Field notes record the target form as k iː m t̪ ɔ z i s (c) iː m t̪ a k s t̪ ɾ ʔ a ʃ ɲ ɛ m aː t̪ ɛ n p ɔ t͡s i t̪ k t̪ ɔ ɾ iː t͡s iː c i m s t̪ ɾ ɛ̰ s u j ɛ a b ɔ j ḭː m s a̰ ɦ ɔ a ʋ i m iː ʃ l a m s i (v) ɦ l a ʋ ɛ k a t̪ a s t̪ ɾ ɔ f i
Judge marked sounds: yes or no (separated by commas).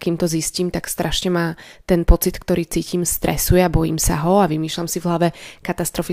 yes, yes